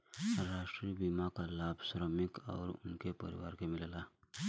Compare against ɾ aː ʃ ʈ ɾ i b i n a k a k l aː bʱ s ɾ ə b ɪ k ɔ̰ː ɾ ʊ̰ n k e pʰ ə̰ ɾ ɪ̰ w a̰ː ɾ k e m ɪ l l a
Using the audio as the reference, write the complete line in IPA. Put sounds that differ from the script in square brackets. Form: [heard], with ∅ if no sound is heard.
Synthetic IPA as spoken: ɾ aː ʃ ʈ ɾ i b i [m] a k a [∅] l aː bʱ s ɾ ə [m] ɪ k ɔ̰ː ɾ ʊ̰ n k e [p] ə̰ ɾ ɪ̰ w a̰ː ɾ k e m ɪ l l a